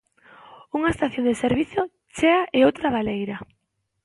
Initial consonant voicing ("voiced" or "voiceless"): voiced